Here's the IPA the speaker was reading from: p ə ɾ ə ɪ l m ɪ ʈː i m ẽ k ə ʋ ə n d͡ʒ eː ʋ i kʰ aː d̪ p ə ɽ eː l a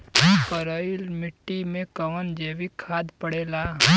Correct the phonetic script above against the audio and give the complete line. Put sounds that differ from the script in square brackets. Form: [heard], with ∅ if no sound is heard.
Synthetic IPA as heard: p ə ɾ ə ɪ l m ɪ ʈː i m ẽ k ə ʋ ə n d͡ʒ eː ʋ i kʰ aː d̪ p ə ɽ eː l a

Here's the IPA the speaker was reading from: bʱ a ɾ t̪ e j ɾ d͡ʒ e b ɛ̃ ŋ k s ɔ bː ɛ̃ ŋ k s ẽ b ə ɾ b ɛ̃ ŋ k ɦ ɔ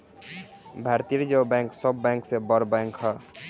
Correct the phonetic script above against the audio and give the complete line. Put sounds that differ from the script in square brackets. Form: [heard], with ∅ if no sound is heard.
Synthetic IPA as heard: bʱ a ɾ t̪ [i] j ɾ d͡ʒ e b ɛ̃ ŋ k s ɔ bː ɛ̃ ŋ k s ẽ b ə ɾ b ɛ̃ ŋ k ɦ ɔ

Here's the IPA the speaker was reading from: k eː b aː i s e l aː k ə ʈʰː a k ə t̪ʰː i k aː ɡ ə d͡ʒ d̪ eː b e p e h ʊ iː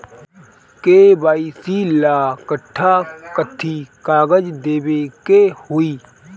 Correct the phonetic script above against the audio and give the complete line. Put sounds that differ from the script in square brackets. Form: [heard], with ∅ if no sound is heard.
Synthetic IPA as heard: k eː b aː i s [i] l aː k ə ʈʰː a k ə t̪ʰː i k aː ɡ ə d͡ʒ d̪ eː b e [k] e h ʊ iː

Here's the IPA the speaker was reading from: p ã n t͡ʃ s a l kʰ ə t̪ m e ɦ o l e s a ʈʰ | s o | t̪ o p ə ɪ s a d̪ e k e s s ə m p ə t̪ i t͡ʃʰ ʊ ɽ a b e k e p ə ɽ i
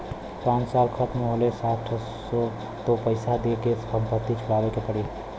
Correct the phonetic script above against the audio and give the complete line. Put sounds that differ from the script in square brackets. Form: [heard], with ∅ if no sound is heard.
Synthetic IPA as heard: p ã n t͡ʃ s a l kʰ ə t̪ m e ɦ o l e s a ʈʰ | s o | t̪ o p ə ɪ s a d̪ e k e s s ə m p ə t̪ i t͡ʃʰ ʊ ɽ a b e k e p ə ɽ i

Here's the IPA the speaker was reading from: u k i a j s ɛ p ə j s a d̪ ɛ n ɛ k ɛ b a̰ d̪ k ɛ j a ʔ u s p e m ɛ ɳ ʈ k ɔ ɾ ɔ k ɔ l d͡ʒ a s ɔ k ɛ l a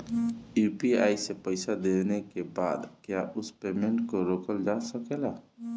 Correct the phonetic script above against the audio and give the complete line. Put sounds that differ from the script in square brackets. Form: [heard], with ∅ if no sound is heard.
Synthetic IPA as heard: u [p] i a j s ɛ p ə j s a d̪ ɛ n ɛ k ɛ b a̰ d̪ k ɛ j a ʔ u s p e m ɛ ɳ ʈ k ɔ ɾ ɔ k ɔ l d͡ʒ a s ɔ k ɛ l a

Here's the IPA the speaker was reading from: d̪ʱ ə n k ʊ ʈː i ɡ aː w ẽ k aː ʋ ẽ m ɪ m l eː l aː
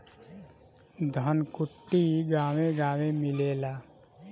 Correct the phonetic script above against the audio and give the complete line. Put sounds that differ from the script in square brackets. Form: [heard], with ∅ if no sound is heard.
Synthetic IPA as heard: d̪ʱ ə n k ʊ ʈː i ɡ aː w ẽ [ɡ] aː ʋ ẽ m ɪ [∅] l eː l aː

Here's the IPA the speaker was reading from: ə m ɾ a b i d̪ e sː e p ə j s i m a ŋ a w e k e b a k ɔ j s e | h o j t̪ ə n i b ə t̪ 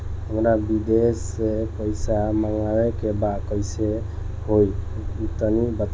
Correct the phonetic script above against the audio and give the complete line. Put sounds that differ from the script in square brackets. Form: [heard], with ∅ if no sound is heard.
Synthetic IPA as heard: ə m ɾ a b i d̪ e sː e p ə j s [a] m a ŋ a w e k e b a k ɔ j s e | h o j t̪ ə n i b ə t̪

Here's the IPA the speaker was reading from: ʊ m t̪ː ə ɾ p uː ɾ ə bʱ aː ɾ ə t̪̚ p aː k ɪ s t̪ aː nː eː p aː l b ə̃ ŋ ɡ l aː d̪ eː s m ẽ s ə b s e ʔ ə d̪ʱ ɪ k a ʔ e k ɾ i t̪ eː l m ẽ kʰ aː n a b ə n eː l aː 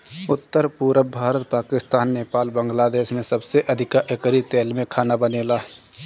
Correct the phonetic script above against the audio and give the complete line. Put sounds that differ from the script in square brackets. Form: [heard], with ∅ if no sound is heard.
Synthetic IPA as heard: ʊ [∅] t̪ː ə ɾ p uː ɾ ə bʱ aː ɾ ə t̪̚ p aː k ɪ s t̪ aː nː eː p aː l b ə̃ ŋ ɡ l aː d̪ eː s m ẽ s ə b s e ʔ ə d̪ʱ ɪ k a ʔ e k ɾ i t̪ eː l m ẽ kʰ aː n a b ə n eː l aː

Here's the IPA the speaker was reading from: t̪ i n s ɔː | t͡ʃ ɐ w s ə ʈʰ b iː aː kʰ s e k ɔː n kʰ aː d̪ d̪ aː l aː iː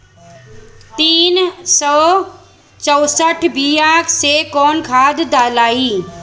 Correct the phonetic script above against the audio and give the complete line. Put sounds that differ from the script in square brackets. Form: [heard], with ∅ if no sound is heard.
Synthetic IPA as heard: t̪ [iː] n s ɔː | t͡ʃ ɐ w s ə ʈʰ b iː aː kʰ s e k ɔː n kʰ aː d̪ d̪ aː l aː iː

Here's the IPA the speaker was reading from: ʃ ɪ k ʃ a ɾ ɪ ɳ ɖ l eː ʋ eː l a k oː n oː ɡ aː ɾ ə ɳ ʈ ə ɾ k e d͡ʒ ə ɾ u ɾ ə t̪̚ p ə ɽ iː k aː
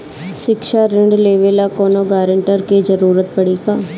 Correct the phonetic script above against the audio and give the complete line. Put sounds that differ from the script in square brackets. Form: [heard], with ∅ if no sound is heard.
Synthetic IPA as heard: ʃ ɪ k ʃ a ɾ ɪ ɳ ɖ l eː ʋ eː l a k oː n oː ɡ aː ɾ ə ɳ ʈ ə ɾ k e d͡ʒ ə ɾ [uː] ɾ ə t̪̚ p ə ɽ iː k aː

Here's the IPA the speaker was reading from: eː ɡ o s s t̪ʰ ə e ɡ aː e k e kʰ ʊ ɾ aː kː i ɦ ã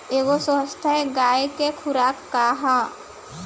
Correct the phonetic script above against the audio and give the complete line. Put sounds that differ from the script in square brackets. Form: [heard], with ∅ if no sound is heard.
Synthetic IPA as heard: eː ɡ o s s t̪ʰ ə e ɡ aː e k e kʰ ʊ ɾ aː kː [a] ɦ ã

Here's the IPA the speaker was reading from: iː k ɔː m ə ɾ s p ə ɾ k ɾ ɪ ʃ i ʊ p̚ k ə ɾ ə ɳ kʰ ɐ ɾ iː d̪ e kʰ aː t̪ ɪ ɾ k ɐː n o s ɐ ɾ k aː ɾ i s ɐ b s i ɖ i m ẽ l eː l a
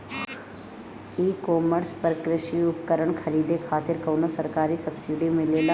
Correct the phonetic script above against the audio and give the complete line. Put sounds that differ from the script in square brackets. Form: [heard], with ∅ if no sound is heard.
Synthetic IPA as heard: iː k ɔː m ə ɾ s p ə ɾ k ɾ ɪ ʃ i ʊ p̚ k ə ɾ ə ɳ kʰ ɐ ɾ iː d̪ e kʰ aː t̪ ɪ ɾ k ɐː n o s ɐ ɾ k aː ɾ i s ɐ b s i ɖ i m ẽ l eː l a

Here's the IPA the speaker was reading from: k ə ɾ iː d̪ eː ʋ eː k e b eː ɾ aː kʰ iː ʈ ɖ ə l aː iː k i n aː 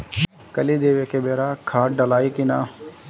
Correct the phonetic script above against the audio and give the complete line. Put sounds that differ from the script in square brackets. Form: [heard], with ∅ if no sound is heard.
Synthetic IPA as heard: k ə [l] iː d̪ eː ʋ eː k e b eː ɾ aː kʰ [aː] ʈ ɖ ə l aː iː k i n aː

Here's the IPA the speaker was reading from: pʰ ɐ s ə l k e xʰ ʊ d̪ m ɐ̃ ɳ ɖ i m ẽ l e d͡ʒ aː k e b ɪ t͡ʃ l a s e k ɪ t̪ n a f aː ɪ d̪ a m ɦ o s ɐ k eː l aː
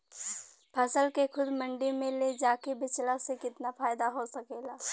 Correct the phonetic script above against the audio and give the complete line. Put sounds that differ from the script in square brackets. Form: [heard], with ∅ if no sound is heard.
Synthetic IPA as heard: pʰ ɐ s ə l k e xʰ ʊ d̪ m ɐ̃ ɳ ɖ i m ẽ l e d͡ʒ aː k e b ɪ t͡ʃ l a s e k ɪ t̪ n a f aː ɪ d̪ a [∅] ɦ o s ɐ k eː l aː

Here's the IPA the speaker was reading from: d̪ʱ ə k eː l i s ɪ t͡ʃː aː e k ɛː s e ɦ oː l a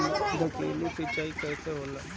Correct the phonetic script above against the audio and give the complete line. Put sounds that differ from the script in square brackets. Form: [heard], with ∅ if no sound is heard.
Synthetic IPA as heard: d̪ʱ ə k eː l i s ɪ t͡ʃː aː [i] k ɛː s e ɦ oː l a

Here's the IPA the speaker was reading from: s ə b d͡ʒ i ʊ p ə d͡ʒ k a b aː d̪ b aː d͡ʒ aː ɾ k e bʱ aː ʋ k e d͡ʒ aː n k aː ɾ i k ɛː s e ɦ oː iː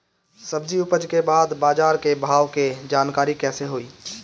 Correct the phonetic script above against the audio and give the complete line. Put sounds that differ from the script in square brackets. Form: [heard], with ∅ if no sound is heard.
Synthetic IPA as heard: s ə b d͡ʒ i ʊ p ə d͡ʒ k [e] b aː d̪ b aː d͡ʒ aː ɾ k e bʱ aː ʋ k e d͡ʒ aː n k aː ɾ i k ɛː s e ɦ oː iː

